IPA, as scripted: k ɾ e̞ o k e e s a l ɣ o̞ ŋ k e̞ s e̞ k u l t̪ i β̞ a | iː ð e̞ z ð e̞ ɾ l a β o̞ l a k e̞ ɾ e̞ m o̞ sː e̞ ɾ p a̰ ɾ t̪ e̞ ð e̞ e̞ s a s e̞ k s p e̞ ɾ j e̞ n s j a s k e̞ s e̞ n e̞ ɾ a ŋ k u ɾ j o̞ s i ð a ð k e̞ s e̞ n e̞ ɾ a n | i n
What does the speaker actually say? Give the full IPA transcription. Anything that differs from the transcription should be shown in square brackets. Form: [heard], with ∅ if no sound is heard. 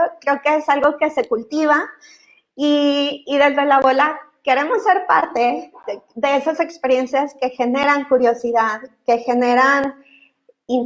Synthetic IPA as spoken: k ɾ e̞ o k e e s a l ɣ o̞ [∅] k e̞ s e̞ k u l t̪ i β̞ a | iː ð e̞ z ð e̞ [∅] l a β o̞ l a k e̞ ɾ e̞ m o̞ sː e̞ ɾ p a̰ ɾ t̪ e̞ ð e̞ e̞ s a s e̞ k s p e̞ ɾ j e̞ n s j a s k e̞ [x] e̞ n e̞ ɾ a ŋ k u ɾ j o̞ s i ð a ð k e̞ [x] e̞ n e̞ ɾ a n | i n